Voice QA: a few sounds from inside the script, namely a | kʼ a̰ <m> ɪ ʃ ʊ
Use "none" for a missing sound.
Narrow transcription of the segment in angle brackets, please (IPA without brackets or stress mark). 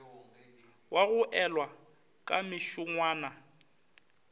m